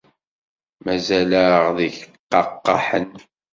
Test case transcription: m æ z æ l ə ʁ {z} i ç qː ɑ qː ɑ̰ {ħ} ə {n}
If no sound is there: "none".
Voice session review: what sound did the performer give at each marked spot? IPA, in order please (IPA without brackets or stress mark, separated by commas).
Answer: ð, ħ, n